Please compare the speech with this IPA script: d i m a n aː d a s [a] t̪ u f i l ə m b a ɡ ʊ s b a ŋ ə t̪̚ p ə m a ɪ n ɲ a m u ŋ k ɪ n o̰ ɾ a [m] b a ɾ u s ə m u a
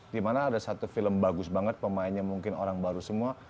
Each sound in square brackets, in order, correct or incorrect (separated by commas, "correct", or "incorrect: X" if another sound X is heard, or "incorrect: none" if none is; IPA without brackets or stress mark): correct, incorrect: ŋ